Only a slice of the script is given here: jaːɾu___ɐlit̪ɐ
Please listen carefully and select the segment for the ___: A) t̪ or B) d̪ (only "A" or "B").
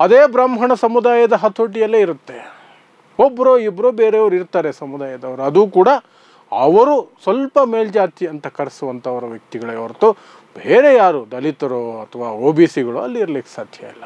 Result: B